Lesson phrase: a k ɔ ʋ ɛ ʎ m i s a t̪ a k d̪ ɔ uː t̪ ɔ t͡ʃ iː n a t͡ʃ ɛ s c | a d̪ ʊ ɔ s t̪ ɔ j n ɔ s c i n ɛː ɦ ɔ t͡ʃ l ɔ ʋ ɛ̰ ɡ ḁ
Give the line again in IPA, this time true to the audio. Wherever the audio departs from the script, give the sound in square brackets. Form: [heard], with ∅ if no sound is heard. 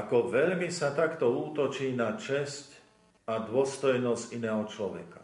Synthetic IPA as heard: a k ɔ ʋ ɛ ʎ m i s a t̪ a k [t̪] ɔ uː t̪ ɔ t͡ʃ iː n a t͡ʃ ɛ s c | a d̪ ʊ ɔ s t̪ ɔ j n ɔ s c i n ɛː ɦ ɔ t͡ʃ l ɔ ʋ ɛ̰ [k] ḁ